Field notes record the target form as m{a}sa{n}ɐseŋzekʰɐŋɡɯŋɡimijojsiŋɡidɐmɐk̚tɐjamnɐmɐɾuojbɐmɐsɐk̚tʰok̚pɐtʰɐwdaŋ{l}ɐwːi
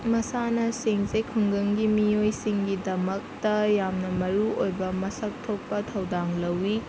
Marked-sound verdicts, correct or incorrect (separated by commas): incorrect, correct, correct